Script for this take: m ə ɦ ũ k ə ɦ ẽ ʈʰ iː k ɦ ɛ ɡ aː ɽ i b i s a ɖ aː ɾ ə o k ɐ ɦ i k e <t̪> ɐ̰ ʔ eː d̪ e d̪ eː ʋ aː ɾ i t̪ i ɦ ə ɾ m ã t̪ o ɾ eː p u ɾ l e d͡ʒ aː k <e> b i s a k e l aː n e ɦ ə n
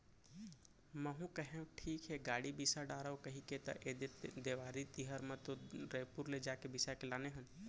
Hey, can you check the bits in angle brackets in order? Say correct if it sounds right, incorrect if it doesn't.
correct, correct

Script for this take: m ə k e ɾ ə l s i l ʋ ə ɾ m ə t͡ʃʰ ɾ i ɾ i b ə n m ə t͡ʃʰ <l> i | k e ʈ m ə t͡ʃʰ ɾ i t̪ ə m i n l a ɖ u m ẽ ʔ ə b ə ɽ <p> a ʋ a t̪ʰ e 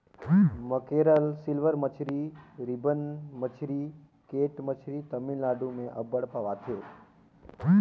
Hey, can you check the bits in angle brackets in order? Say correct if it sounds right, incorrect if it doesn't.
incorrect, correct

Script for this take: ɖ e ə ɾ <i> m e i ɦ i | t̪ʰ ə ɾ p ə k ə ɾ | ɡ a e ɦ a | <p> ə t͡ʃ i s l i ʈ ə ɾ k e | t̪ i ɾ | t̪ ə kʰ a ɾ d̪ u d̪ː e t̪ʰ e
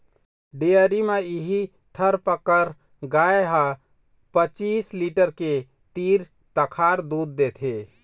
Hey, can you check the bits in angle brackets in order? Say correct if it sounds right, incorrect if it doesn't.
correct, correct

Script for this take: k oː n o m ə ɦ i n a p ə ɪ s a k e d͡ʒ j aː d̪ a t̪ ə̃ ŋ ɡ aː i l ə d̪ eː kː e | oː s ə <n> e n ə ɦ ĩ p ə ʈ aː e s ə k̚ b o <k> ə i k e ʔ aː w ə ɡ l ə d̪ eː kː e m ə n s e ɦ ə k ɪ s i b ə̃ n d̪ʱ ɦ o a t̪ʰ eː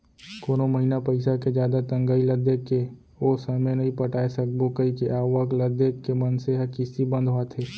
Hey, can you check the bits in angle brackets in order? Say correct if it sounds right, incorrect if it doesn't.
incorrect, correct

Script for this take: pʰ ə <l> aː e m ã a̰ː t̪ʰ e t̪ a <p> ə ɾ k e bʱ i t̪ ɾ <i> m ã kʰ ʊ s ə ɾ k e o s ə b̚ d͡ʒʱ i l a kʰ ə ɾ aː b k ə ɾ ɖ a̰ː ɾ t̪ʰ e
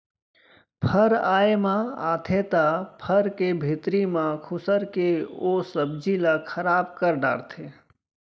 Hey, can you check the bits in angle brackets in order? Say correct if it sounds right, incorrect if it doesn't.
incorrect, incorrect, correct

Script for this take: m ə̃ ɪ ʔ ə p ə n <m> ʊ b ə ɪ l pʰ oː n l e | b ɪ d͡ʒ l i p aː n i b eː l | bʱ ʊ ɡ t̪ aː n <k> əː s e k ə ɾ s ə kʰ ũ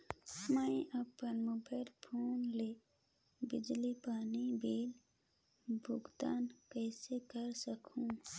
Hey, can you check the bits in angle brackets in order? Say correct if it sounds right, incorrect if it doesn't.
correct, correct

